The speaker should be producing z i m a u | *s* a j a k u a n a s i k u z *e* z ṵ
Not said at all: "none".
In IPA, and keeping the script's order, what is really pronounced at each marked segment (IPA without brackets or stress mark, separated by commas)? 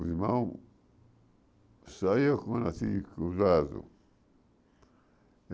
s, a